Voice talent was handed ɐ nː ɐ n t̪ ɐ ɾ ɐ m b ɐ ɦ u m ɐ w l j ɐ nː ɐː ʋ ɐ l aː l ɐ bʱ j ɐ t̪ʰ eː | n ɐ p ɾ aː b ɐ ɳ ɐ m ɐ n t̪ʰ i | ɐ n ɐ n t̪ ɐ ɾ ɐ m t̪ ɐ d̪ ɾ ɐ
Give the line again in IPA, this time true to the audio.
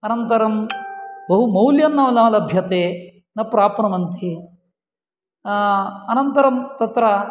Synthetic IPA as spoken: ɐ n ɐ n t̪ ɐ ɾ ɐ m b ɐ ɦ u m ɐ w l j ɐ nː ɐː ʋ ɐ l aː l ɐ bʱ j ɐ t̪ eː | n ɐ p ɾ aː p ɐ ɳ ɐ m ɐ n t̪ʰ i | ɐ n ɐ n t̪ ɐ ɾ ɐ m t̪ ɐ t̪ ɾ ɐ

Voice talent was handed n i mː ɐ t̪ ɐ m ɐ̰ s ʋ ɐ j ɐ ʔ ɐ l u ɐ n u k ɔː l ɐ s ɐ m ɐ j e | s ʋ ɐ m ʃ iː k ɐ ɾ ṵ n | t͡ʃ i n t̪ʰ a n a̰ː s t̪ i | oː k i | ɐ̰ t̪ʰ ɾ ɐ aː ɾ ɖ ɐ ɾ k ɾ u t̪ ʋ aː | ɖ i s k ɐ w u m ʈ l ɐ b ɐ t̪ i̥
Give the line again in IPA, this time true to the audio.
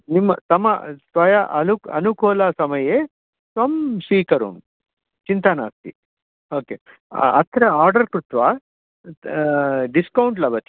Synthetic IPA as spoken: n i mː ɐ t̪ ɐ m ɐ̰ s ʋ ɐ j ɐ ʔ ɐ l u ɐ n u k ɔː l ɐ s ɐ m ɐ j e | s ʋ ɐ m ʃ iː k ɐ ɾ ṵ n | t͡ʃ i n t̪ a n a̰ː s t̪ i | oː k e | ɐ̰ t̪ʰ ɾ ɐ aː ɾ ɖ ɐ ɾ k ɾ u t̪ ʋ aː | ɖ i s k ɐ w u ɳ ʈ l ɐ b ɐ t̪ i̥

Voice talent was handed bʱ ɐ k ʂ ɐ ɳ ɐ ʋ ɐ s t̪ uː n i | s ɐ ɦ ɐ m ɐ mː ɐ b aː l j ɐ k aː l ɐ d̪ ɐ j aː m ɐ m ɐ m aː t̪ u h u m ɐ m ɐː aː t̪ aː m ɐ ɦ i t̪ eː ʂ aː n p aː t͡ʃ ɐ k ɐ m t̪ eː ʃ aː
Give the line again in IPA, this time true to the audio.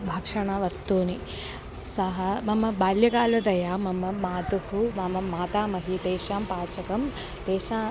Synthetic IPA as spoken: bʱ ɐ k ʂ ɐ ɳ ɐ ʋ ɐ s t̪ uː n i | s ɐ ɦ ɐ m ɐ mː ɐ b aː l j ɐ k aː l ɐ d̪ ɐ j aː m ɐ m ɐ m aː t̪ u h u m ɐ m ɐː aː t̪ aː m ɐ ɦ i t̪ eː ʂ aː m p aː t͡ʃ ɐ k ɐ m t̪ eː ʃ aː

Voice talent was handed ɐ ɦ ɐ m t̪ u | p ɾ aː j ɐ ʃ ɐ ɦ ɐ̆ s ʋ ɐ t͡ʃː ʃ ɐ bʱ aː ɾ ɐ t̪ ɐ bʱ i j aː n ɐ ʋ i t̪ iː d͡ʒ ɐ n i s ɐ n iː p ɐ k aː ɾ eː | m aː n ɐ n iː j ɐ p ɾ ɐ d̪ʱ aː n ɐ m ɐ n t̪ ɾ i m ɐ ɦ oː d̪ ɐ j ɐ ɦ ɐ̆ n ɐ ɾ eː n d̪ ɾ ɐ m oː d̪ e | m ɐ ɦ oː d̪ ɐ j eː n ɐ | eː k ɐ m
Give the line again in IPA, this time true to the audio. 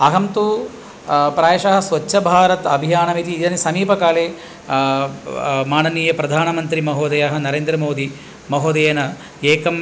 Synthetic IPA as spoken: ɐ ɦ ɐ m t̪ u | p ɾ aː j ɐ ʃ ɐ ɦ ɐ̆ s ʋ ɐ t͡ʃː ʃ ɐ bʱ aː ɾ ɐ t̪ ɐ bʱ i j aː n ɐ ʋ i t̪ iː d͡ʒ ɐ n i s ɐ m iː p ɐ k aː l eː | m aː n ɐ n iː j ɐ p ɾ ɐ d̪ʱ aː n ɐ m ɐ n t̪ ɾ i m ɐ ɦ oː d̪ ɐ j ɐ ɦ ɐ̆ n ɐ ɾ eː n d̪ ɾ ɐ m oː d̪ i | m ɐ ɦ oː d̪ ɐ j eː n ɐ | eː k ɐ m

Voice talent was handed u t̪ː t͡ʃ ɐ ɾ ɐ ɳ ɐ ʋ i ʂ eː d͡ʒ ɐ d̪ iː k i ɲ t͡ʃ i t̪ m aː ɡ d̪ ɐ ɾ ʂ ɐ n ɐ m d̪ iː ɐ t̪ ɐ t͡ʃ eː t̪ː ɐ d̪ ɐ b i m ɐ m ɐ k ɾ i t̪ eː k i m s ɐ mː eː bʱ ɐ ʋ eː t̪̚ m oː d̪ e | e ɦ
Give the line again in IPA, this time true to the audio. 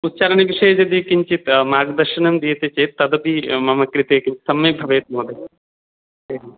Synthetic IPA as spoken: u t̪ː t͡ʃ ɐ ɾ ɐ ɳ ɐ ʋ i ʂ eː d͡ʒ ɐ d̪ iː k i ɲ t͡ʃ i t̪ m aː ɡ d̪ ɐ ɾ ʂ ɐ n ɐ m d̪ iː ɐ t̪ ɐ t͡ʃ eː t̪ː ɐ d̪ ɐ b i m ɐ m ɐ k ɾ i t̪ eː k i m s ɐ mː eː bʱ ɐ ʋ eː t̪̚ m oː d̪ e | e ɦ

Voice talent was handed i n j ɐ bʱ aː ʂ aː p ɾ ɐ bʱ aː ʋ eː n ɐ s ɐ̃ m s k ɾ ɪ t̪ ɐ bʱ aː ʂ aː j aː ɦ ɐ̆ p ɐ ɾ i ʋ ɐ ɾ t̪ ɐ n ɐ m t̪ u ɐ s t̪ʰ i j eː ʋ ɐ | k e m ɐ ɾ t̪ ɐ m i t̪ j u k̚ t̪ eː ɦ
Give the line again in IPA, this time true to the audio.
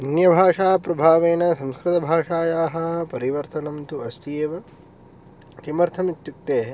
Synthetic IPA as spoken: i n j ɐ bʱ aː ʂ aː p ɾ ɐ bʱ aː ʋ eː n ɐ s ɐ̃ m s k ɾ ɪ t̪ ɐ bʱ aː ʂ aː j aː ɦ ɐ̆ p ɐ ɾ i ʋ ɐ ɾ t̪ ɐ n ɐ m t̪ u ɐ s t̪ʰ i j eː ʋ ɐ | k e m ɐ ɾ t̪ʰ ɐ m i t̪ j u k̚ t̪ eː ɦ

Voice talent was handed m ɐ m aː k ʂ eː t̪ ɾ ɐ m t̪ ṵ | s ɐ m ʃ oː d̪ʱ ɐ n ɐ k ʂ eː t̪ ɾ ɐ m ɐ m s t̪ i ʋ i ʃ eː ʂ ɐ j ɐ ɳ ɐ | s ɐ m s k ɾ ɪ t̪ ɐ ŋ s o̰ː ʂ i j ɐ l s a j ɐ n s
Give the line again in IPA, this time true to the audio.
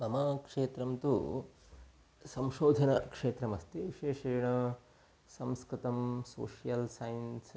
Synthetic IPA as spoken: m ɐ m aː k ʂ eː t̪ ɾ ɐ m t̪ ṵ | s ɐ m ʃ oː d̪ʱ ɐ n ɐ k ʂ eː t̪ ɾ ɐ m ɐ s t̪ i ʋ i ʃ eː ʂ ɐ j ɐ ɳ ɐ | s ɐ m s k ɾ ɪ t̪ ɐ m s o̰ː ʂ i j ɐ l s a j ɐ n s

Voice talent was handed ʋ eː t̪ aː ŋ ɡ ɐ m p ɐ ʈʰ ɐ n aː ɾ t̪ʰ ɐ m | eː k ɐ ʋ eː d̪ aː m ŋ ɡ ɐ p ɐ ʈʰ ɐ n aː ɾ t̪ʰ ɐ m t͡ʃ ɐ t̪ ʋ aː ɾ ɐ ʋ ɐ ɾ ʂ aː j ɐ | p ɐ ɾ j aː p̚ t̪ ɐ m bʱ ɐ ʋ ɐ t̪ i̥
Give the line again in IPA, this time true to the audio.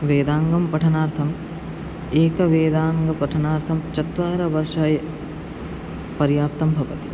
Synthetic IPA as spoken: ʋ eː d̪ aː ŋ ɡ ɐ m p ɐ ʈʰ ɐ n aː ɾ t̪ʰ ɐ m | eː k ɐ ʋ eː d̪ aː ŋ ɡ ɐ p ɐ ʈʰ ɐ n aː ɾ t̪ʰ ɐ m t͡ʃ ɐ t̪ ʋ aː ɾ ɐ ʋ ɐ ɾ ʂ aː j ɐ | p ɐ ɾ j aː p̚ t̪ ɐ m bʱ ɐ ʋ ɐ t̪ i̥

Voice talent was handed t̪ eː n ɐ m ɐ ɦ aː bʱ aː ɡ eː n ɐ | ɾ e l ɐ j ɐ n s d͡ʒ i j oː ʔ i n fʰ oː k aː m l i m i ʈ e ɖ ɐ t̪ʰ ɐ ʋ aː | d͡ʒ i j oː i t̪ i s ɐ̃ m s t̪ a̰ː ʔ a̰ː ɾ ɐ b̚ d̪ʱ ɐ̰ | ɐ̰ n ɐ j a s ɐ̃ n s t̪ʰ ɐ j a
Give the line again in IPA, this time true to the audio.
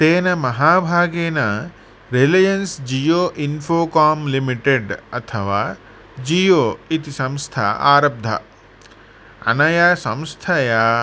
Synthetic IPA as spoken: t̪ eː n ɐ m ɐ ɦ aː bʱ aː ɡ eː n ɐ | ɾ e l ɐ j ɐ n s d͡ʒ i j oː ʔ i n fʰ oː k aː m l i m i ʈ e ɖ ɐ t̪ʰ ɐ ʋ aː | d͡ʒ i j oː i t̪ i s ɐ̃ m s t̪ʰ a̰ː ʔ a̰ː ɾ ɐ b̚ d̪ʱ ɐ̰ | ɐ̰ n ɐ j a s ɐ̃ m s t̪ʰ ɐ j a

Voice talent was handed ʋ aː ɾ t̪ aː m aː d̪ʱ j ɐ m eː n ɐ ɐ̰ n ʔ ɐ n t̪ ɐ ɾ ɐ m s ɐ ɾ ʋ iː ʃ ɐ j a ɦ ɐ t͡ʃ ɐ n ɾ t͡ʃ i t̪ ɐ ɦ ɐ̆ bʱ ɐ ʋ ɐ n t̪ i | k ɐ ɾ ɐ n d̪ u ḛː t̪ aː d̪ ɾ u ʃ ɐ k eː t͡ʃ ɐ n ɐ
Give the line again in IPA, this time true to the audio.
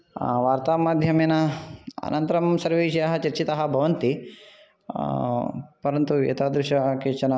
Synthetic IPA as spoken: ʋ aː ɾ t̪ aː m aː d̪ʱ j ɐ m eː n ɐ ɐ̰ n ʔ ɐ n t̪ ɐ ɾ ɐ m s ɐ ɾ ʋ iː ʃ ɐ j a ɦ ɐ t͡ʃ ɐ ɾ t͡ʃ i t̪ ɐ ɦ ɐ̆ bʱ ɐ ʋ ɐ n t̪ i | p ɐ ɾ ɐ n t̪ u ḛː t̪ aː d̪ ɾ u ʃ ɐ k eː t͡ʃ ɐ n ɐ

